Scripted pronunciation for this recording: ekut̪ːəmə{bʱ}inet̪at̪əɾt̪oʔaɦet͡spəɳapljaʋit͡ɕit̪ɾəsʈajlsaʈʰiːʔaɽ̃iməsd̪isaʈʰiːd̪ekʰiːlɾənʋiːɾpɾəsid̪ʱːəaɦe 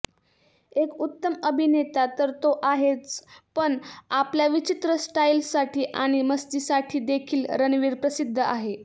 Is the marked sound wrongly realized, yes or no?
no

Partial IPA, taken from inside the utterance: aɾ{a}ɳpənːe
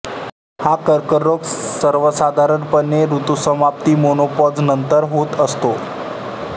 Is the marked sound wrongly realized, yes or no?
yes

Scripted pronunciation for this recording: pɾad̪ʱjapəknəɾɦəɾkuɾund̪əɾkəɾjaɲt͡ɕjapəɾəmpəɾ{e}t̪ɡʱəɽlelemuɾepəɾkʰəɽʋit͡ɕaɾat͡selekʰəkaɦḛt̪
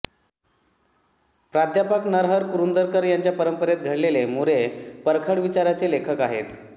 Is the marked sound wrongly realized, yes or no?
no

